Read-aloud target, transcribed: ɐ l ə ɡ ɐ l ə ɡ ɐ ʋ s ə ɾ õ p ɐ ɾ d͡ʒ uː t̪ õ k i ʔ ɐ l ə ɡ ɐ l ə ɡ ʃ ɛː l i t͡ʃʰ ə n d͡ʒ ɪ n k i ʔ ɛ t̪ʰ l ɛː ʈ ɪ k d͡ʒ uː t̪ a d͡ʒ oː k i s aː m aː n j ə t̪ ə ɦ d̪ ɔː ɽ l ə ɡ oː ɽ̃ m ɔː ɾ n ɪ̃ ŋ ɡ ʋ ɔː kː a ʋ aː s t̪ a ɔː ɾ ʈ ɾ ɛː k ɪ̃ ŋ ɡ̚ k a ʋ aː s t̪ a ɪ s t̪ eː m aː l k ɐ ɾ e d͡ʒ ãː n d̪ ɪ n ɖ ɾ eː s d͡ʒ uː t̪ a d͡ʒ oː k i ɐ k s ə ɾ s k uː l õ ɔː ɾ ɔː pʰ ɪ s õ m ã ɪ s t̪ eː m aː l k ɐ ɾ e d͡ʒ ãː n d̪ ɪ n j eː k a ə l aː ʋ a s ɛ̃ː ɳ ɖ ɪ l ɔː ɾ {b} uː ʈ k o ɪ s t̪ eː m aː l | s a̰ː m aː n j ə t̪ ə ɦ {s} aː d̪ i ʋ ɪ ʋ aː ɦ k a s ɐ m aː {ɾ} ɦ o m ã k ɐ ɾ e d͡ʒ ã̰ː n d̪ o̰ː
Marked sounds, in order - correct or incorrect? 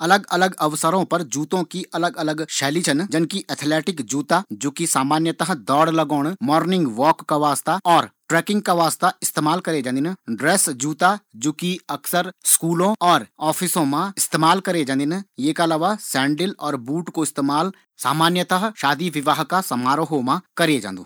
correct, incorrect, correct

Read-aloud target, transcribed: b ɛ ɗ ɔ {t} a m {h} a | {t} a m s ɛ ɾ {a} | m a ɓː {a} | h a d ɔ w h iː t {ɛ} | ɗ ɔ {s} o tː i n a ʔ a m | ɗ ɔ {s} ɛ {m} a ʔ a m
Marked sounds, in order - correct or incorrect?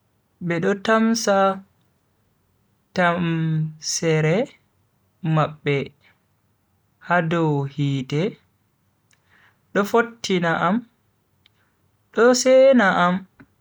correct, incorrect, correct, incorrect, incorrect, correct, incorrect, correct, incorrect

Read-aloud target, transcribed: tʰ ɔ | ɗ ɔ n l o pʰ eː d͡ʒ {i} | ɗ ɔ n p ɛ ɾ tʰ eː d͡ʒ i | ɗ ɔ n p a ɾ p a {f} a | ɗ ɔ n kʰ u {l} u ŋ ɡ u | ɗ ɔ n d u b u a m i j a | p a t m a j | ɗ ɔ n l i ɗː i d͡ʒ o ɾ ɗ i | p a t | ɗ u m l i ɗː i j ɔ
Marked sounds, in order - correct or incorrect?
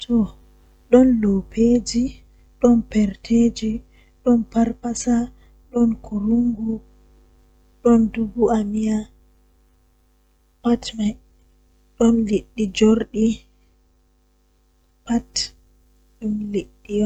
correct, incorrect, incorrect

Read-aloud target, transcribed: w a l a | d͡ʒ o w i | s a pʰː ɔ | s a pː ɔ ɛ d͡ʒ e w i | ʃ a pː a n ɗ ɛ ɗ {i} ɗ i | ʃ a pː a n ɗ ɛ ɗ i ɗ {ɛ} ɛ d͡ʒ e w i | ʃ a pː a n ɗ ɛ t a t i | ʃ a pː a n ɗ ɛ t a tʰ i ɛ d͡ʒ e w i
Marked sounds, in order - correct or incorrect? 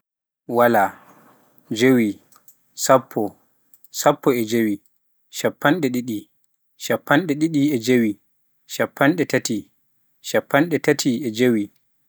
correct, incorrect

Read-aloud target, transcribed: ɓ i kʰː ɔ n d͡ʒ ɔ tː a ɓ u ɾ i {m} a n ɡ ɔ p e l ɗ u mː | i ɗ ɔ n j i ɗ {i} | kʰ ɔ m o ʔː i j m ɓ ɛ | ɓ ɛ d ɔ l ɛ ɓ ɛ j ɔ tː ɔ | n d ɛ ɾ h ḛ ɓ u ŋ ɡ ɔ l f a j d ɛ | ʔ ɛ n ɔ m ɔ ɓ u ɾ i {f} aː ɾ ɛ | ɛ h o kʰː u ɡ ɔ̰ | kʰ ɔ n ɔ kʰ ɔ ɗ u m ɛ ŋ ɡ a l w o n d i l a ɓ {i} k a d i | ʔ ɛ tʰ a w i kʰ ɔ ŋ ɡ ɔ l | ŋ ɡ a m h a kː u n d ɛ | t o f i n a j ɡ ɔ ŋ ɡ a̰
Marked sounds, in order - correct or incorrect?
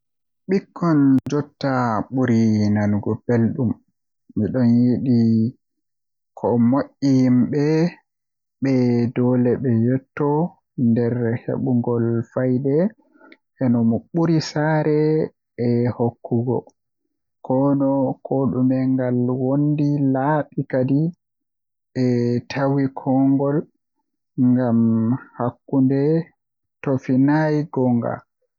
incorrect, correct, incorrect, correct

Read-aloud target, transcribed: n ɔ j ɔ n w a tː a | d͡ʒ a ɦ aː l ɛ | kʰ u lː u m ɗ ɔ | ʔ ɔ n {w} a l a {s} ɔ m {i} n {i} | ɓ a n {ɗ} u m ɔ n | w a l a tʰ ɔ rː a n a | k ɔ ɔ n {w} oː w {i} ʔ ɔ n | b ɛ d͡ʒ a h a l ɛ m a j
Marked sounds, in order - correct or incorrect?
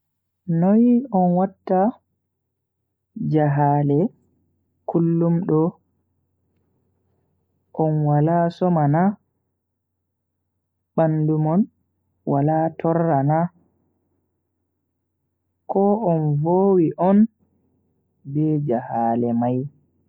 correct, correct, incorrect, incorrect, incorrect, incorrect, correct

